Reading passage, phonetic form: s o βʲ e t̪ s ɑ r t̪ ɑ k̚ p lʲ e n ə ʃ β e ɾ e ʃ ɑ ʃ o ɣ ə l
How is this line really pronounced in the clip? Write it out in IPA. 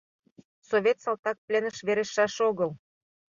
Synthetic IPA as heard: s o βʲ e t̪ s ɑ l t̪ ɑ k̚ p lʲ e n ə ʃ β e ɾ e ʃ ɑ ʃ o ɣ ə l